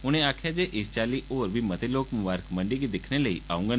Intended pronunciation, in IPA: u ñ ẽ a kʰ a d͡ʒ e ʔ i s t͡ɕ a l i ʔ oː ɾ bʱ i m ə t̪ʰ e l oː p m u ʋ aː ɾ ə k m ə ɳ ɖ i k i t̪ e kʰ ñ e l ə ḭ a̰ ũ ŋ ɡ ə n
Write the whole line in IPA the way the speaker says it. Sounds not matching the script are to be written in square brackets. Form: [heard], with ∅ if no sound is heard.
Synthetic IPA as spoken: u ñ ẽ a kʰ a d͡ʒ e ʔ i s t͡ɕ a l i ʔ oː ɾ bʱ i m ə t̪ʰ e l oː [k] m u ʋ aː ɾ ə k m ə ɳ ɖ i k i [d̪] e kʰ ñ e l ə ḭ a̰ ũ ŋ ɡ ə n